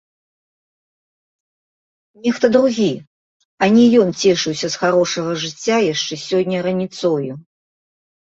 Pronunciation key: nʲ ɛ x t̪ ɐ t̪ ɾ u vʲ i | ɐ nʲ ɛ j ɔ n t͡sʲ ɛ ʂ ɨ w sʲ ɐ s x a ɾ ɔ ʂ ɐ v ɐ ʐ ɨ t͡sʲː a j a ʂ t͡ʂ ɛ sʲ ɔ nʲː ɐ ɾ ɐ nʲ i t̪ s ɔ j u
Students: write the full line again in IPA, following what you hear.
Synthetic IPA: nʲ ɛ x t̪ ɐ d̪ ɾ u ɣʲ i | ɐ nʲ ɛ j ɔ n t͡sʲ ɛ ʂ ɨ w sʲ ɐ s x a ɾ ɔ ʂ ɐ ɣ ɐ ʐ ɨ t͡sʲː a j a ʂ t͡ʂ ɛ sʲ ɔ nʲː ɐ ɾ ɐ nʲ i t̪ s ɔ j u